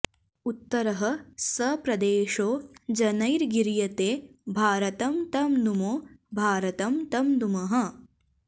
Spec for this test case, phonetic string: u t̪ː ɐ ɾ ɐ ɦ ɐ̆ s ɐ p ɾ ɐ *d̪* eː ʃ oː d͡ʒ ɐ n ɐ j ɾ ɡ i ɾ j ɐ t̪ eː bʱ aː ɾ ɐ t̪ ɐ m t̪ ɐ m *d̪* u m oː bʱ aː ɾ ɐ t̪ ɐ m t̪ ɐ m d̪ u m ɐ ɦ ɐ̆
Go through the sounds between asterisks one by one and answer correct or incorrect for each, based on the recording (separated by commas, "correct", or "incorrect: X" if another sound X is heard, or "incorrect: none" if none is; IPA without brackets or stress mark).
correct, correct